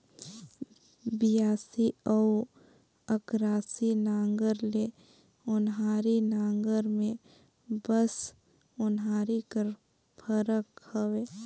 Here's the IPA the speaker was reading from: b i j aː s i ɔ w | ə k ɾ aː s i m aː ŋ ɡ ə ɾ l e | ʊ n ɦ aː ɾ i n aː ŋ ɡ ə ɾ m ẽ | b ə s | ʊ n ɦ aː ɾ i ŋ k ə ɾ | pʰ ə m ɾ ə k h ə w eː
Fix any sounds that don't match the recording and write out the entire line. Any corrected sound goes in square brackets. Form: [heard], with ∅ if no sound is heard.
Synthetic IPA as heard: b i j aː s i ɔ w | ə k ɾ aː s i [n] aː ŋ ɡ ə ɾ l e | ʊ n ɦ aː ɾ i n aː ŋ ɡ ə ɾ m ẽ | b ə s | ʊ n ɦ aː ɾ i [∅] k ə ɾ | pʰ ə [∅] ɾ ə k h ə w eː